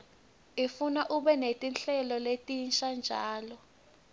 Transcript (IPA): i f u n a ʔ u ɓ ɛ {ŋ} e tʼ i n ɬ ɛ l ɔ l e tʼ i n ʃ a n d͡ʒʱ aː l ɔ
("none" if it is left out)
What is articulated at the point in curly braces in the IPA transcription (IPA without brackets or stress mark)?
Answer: n